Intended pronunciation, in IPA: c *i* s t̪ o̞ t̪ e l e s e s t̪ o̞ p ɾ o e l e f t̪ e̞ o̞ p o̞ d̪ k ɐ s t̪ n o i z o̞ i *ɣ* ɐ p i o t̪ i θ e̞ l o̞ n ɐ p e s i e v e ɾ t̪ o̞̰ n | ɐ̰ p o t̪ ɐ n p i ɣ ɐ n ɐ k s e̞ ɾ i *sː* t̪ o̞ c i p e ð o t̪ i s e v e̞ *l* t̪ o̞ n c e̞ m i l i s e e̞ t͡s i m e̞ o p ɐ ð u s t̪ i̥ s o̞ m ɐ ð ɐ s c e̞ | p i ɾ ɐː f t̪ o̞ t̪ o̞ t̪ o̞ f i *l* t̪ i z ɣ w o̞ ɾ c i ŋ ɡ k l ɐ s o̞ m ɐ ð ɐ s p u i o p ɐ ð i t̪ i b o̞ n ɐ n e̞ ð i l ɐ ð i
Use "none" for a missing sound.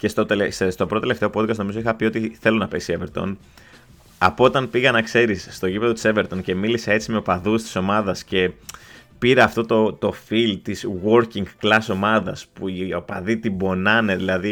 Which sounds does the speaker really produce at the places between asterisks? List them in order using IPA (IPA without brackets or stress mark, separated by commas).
e, x, sː, ɾ, l